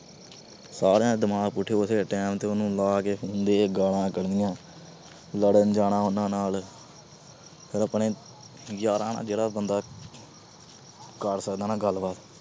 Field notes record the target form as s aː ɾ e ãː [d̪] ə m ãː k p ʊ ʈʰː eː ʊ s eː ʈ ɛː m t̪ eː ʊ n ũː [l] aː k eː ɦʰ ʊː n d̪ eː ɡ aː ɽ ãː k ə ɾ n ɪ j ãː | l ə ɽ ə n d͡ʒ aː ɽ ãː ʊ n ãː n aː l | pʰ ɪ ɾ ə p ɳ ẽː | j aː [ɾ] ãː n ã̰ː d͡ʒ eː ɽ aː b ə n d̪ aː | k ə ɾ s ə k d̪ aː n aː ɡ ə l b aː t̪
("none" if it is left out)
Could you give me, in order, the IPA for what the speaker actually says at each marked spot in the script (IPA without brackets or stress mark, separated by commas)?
d̪, l, ɾ